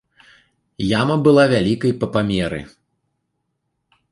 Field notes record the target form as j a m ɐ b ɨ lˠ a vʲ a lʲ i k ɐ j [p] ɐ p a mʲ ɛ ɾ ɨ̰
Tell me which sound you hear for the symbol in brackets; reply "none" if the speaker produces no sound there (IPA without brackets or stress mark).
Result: p